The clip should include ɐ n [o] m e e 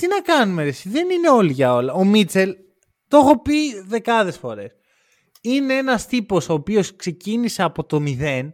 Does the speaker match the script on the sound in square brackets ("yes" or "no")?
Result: no